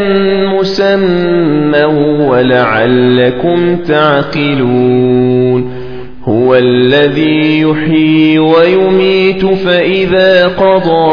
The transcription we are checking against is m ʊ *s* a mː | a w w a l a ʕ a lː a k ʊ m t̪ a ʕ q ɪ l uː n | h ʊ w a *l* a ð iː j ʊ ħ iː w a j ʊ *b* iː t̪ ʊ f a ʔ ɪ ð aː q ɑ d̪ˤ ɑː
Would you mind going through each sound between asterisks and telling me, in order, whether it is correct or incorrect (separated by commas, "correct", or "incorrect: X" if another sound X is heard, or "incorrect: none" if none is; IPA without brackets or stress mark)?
correct, incorrect: lː, incorrect: m